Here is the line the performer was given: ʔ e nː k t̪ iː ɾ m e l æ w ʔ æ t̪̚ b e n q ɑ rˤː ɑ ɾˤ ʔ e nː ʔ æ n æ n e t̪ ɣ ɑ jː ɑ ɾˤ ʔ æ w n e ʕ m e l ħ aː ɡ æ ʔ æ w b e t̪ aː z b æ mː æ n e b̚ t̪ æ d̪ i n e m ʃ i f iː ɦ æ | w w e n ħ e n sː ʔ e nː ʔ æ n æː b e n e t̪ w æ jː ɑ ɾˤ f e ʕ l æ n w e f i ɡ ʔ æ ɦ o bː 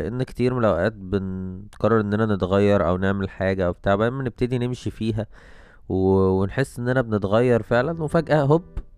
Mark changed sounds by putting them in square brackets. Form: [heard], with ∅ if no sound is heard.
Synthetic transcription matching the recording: ʔ e nː k t̪ iː ɾ m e l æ w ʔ [æː] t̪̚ b e n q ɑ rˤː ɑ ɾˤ ʔ e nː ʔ æ n æ n e t̪ ɣ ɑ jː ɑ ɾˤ ʔ æ w n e ʕ m e l ħ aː ɡ æ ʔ æ w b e t̪ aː [ʕ] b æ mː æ n e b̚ t̪ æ d̪ i n e m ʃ i f iː ɦ æ | w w e n ħ e [∅] sː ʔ e nː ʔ æ n [æ] b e n e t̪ [ɣ] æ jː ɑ ɾˤ f e ʕ l æ n w e f [æ] ɡ ʔ æ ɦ o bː